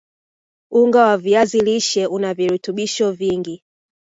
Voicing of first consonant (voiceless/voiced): voiced